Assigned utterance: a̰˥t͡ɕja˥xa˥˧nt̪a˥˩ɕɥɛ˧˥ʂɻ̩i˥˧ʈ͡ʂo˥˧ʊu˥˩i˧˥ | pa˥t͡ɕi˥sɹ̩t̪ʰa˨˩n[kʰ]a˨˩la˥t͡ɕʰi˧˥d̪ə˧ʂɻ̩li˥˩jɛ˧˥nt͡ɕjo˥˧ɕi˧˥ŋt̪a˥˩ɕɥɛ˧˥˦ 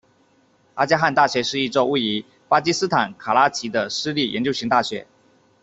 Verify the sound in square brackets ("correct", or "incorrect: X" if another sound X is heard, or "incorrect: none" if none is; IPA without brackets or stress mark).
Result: correct